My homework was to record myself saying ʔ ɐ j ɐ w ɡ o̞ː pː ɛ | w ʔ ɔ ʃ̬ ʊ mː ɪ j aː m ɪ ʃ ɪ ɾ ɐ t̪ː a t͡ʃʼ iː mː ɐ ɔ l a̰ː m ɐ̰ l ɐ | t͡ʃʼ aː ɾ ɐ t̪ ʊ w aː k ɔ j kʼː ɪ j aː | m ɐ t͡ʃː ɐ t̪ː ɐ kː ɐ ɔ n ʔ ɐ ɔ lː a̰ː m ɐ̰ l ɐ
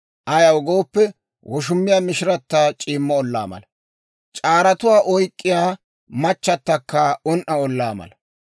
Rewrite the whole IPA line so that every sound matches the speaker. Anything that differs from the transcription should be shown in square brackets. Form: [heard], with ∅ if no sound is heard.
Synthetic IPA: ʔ ɐ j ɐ w ɡ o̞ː pː ɛ | w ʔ ɔ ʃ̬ ʊ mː ɪ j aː m ɪ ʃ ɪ ɾ ɐ t̪ː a t͡ʃʼ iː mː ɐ ɔ [lː] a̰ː m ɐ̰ l ɐ | t͡ʃʼ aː ɾ ɐ t̪ ʊ w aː [ʔ] ɔ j kʼː ɪ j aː | m ɐ t͡ʃː ɐ t̪ː ɐ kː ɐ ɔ n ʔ ɐ ɔ lː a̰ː m ɐ̰ l ɐ